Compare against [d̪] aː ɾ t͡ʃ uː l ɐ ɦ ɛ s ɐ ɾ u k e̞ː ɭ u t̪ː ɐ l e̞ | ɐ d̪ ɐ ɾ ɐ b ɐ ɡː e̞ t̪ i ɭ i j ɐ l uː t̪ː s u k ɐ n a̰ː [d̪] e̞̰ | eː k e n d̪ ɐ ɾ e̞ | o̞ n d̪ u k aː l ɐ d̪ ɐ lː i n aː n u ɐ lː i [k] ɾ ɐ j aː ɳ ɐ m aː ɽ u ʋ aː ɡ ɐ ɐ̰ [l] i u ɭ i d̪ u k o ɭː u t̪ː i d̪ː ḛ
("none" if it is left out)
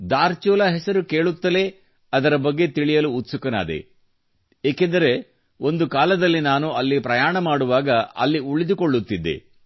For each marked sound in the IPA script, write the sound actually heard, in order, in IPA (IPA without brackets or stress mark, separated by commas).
d̪, d̪, p, lː